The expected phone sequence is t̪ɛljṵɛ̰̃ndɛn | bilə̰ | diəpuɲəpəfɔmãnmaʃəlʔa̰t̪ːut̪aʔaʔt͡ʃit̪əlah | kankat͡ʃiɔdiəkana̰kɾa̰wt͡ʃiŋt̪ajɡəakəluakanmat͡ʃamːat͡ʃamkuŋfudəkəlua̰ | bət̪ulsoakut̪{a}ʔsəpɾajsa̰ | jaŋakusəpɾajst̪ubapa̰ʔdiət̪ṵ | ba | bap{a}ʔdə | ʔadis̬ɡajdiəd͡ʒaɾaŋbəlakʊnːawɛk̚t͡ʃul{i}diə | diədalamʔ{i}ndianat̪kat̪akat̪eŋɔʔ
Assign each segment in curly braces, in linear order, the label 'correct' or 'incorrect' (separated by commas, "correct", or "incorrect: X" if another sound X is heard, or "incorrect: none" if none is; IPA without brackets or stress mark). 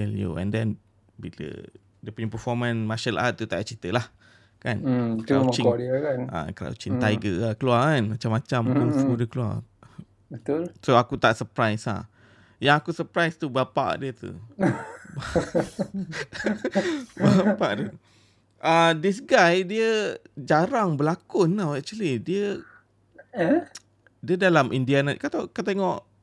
correct, correct, correct, correct